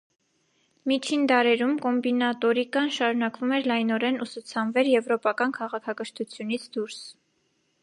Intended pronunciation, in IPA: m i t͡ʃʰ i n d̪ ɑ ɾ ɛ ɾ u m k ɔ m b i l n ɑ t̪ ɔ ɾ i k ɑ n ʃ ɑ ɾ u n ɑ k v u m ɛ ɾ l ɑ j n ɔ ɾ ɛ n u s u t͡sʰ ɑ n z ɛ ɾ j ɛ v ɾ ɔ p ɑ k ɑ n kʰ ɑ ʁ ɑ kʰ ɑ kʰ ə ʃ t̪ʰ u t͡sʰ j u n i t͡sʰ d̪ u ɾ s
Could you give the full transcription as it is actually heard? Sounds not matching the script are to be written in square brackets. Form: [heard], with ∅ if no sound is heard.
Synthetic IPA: m i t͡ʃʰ i n d̪ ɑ ɾ ɛ ɾ u m k ɔ m b i [∅] n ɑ t̪ ɔ ɾ i k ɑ n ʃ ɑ ɾ u n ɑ k v u m ɛ ɾ l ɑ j n ɔ ɾ ɛ n u s u t͡sʰ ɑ n [v] ɛ ɾ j ɛ v ɾ ɔ p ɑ k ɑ n kʰ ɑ ʁ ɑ kʰ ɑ [k] ə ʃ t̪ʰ u t͡sʰ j u n i t͡sʰ d̪ u ɾ s

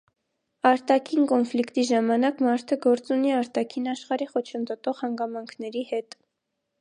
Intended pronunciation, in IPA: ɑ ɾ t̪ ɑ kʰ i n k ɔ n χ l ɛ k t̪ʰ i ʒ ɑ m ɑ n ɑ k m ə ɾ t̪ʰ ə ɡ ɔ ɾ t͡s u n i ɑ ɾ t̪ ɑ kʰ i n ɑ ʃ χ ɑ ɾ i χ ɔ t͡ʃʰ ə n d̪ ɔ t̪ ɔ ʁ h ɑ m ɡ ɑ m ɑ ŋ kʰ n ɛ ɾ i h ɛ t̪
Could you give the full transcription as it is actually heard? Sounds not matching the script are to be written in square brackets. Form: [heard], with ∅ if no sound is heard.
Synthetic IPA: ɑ ɾ t̪ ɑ kʰ i n k ɔ n [f] l [i] k [t̪] i ʒ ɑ m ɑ n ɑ k m [ɑ] ɾ t̪ʰ ə ɡ ɔ ɾ t͡s u n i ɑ ɾ t̪ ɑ kʰ i n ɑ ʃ χ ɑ ɾ i χ ɔ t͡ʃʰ ə n d̪ ɔ t̪ ɔ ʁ h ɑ [ŋ] ɡ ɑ m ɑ ŋ kʰ n ɛ ɾ i h ɛ t̪

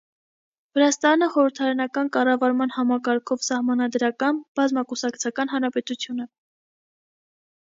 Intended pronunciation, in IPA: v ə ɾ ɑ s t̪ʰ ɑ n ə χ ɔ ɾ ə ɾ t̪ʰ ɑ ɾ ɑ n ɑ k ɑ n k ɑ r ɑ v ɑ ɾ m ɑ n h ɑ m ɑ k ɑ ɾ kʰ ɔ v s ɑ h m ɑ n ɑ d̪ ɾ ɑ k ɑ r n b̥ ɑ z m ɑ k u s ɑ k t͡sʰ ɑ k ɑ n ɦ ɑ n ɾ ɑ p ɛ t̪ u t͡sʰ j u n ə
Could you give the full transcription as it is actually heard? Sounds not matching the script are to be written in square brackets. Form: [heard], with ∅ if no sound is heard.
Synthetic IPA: v ə ɾ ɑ s [t̪] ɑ n ə χ ɔ ɾ ə ɾ t̪ʰ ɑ ɾ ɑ n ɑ k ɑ n k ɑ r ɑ v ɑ ɾ m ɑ n h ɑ m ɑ k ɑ ɾ kʰ ɔ v s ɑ h m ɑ n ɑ d̪ ɾ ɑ k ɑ [∅] n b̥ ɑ z m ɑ k u s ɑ k t͡sʰ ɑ k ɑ n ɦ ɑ n ɾ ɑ p ɛ t̪ u t͡sʰ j u n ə

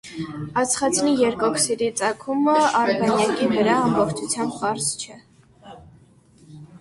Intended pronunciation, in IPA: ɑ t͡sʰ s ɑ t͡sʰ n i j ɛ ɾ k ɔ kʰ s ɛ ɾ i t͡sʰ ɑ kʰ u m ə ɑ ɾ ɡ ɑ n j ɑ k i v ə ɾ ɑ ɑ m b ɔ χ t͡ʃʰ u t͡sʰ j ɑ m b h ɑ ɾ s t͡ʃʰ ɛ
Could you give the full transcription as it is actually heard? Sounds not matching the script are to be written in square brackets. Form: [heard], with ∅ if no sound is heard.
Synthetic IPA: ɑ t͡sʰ [χ] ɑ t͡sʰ n i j ɛ ɾ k ɔ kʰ s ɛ ɾ i [t͡s] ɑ kʰ u m ə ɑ ɾ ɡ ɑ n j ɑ k i v ə ɾ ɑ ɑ m b ɔ χ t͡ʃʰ u t͡sʰ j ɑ m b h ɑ ɾ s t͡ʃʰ ɛ

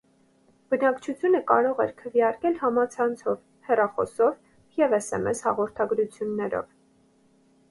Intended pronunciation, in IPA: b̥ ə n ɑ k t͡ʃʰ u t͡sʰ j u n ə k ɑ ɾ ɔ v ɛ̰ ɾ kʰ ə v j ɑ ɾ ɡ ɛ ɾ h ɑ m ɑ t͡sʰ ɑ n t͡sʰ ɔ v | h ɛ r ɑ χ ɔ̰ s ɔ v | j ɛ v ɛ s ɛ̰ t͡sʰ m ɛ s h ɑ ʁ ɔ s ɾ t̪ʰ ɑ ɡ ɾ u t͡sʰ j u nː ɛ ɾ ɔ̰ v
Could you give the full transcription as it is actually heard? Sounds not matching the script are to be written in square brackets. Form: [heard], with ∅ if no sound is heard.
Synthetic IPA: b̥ ə n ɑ k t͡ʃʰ u t͡sʰ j u n ə k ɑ ɾ ɔ [ʁ] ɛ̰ ɾ kʰ ə v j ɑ ɾ [k] ɛ [l] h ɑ m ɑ t͡sʰ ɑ n t͡sʰ ɔ v | h ɛ r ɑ χ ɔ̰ s ɔ v | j ɛ v ɛ s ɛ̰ [∅] m ɛ s h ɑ ʁ ɔ [∅] ɾ t̪ʰ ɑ ɡ ɾ u t͡sʰ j u nː ɛ ɾ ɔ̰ v

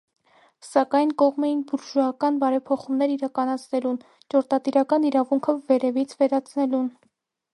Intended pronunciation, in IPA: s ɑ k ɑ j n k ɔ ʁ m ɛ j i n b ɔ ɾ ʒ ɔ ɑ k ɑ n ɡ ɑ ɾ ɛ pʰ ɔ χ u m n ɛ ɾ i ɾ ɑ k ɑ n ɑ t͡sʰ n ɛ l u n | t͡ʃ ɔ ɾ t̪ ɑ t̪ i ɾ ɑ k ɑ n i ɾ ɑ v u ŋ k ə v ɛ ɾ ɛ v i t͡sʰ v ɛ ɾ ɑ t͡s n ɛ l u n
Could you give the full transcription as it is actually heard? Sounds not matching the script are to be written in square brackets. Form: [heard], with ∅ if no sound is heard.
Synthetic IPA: s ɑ k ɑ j n k ɔ ʁ m ɛ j i n b [u] ɾ ʒ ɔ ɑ k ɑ n [b] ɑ ɾ ɛ pʰ ɔ χ u m n ɛ ɾ i ɾ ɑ k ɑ n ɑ t͡sʰ n ɛ l u n | t͡ʃ ɔ ɾ t̪ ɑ t̪ i ɾ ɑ k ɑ n i ɾ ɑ v u ŋ [kʰ] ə v ɛ ɾ ɛ v i t͡sʰ v ɛ ɾ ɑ [t͡sʰ] n ɛ l u n

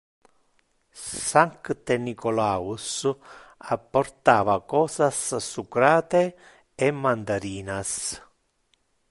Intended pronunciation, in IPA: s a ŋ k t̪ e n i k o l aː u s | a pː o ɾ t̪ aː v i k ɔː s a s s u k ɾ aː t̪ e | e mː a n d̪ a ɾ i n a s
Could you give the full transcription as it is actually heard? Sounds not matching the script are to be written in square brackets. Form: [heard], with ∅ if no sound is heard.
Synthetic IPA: s a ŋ k t̪ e n i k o l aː u s | a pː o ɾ t̪ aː v [a] k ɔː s a s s u k ɾ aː t̪ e | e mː a n d̪ a ɾ [iː] n a s

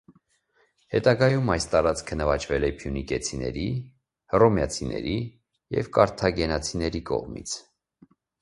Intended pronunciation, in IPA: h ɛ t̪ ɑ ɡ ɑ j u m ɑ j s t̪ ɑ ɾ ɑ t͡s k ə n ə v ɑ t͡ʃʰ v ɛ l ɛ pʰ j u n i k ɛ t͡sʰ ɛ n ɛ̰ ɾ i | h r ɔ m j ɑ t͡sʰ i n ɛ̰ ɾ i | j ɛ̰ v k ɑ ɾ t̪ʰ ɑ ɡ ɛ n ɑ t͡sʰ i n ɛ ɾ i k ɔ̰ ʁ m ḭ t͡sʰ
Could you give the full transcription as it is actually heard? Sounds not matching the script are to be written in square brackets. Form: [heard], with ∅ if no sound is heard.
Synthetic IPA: h ɛ t̪ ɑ ɡ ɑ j u m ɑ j s t̪ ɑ ɾ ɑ t͡s [kʰ] ə n ə v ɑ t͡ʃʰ v ɛ l ɛ pʰ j u n i k ɛ t͡sʰ [i] n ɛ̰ ɾ i | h r ɔ m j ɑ t͡sʰ i n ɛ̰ ɾ i | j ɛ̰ v k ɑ ɾ t̪ʰ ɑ ɡ ɛ n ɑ t͡sʰ i n ɛ ɾ i k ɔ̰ ʁ m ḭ t͡sʰ

